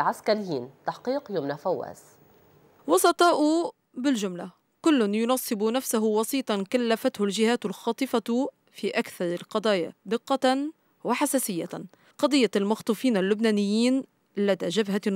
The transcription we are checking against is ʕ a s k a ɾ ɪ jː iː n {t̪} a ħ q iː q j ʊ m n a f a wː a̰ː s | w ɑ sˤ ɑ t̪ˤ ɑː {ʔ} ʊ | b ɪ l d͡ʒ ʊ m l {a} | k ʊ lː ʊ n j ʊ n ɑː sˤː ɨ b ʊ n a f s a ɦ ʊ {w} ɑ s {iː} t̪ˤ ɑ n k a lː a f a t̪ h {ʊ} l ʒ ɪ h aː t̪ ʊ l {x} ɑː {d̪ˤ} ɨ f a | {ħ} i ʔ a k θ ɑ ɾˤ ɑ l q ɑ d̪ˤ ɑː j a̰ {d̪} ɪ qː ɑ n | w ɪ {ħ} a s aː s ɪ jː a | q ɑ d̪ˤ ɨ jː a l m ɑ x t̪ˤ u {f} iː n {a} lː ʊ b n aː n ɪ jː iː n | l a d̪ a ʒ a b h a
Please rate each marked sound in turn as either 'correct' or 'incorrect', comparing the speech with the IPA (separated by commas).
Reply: correct, correct, correct, correct, correct, correct, correct, incorrect, incorrect, correct, correct, correct, correct